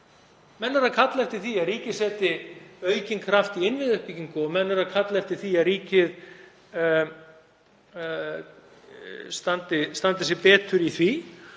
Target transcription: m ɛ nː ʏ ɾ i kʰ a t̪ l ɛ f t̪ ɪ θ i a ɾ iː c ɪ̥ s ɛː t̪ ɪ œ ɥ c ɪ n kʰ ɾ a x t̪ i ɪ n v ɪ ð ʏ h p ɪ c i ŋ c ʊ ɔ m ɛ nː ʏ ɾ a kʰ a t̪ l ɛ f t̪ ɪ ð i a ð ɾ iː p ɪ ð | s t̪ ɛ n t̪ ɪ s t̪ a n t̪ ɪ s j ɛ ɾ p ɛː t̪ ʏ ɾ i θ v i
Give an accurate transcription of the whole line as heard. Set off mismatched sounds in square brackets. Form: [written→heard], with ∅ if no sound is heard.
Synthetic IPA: m ɛ nː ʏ ɾ [i→a] kʰ a t̪ l ɛ f t̪ ɪ θ i a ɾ iː c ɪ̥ s ɛː t̪ ɪ œ ɥ c ɪ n kʰ ɾ a [x→f] t̪ i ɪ n v ɪ ð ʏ h p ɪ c i ŋ [c→k] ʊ ɔ m ɛ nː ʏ ɾ a kʰ a t̪ l ɛ f t̪ ɪ [ð→θ] i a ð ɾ iː [p→c] ɪ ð | s t̪ [ɛ→a] n t̪ ɪ s t̪ a n t̪ ɪ s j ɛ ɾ p ɛː t̪ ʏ ɾ i θ v i